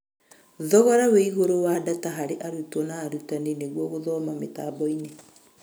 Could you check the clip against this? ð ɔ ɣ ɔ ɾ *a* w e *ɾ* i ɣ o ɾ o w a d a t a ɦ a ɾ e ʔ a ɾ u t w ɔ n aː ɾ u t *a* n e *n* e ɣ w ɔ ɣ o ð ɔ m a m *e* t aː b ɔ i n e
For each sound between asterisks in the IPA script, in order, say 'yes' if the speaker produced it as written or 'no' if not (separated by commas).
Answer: yes, no, yes, yes, yes